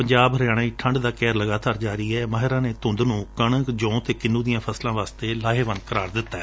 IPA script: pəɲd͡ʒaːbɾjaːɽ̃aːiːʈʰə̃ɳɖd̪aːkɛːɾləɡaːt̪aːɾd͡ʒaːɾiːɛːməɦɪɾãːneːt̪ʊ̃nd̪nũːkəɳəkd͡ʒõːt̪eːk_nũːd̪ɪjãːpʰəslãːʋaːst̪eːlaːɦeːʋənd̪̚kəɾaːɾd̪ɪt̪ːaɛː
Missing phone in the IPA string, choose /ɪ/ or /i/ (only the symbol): ɪ